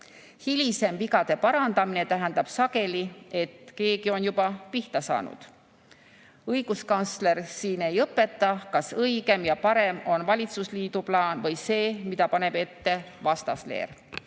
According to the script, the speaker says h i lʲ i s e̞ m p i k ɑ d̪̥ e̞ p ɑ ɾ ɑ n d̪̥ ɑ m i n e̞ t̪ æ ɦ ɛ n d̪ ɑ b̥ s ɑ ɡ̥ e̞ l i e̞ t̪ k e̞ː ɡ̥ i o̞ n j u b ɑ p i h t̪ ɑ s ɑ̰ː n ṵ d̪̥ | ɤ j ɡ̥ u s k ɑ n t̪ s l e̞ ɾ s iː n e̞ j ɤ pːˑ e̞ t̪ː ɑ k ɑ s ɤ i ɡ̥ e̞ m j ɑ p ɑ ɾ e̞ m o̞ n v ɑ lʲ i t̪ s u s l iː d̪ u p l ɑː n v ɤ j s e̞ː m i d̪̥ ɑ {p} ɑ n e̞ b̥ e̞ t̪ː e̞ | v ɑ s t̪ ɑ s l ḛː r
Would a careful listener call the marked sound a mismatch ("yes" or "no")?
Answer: no